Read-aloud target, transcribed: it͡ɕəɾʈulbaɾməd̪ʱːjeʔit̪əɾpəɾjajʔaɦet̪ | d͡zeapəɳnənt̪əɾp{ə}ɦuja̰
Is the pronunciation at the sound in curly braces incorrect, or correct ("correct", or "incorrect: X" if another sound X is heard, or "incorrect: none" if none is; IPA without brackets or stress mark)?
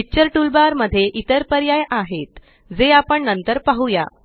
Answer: incorrect: a